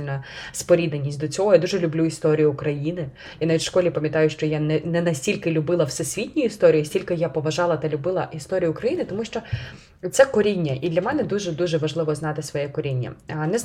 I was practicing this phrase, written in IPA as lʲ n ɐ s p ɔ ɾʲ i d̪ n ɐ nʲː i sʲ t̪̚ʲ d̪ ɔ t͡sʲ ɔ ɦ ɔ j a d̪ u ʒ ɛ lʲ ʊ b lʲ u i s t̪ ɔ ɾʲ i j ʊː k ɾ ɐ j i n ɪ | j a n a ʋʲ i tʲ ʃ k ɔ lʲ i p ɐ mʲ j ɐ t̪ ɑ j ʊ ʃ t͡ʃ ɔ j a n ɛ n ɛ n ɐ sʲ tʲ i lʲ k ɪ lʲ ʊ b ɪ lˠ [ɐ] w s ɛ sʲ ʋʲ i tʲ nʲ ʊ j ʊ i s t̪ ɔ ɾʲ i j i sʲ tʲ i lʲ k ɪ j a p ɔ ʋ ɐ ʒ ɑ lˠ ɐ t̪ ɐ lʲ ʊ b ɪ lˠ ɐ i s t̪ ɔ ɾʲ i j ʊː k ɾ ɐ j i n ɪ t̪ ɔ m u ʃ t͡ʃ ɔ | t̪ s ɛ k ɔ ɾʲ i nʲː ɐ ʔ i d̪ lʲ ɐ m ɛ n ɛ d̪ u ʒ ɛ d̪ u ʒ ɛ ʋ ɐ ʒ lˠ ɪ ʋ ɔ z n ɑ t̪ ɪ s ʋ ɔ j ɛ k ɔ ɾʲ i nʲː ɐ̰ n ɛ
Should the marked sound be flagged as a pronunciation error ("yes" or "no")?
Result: no